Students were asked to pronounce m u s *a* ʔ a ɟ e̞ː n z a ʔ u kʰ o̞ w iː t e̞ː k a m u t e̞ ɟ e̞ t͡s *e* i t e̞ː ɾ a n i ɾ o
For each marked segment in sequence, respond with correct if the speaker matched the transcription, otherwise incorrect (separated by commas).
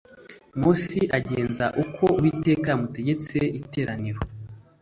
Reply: incorrect, correct